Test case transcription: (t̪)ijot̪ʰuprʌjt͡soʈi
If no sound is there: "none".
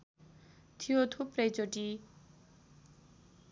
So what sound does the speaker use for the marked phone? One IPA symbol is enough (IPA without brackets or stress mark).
t̪ʰ